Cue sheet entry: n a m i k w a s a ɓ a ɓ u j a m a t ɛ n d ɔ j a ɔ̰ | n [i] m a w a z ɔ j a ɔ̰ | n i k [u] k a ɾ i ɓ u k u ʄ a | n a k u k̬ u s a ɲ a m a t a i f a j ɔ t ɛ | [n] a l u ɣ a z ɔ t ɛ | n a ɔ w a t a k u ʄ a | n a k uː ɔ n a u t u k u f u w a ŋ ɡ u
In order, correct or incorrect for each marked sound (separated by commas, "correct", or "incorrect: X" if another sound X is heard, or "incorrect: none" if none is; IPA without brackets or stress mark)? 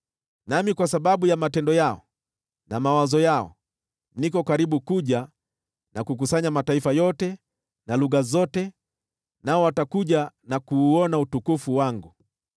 incorrect: a, incorrect: ɔ, correct